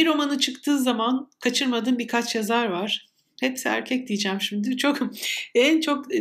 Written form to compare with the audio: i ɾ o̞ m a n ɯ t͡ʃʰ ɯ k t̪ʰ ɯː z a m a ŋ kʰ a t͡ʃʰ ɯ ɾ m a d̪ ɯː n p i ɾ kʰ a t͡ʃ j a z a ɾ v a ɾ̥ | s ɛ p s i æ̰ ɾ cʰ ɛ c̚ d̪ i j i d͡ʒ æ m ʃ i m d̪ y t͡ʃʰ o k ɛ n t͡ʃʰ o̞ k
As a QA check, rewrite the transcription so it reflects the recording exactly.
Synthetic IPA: i ɾ o̞ m a n ɯ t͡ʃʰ ɯ k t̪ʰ ɯː z a m a n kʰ a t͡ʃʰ ɯ ɾ m a d̪ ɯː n b i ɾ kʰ a t͡ʃ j a z a ɾ v a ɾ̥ | h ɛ p s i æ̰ ɾ cʰ ɛ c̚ d̪ i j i d͡ʒ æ m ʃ i m d̪ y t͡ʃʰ o k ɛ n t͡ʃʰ o̞ k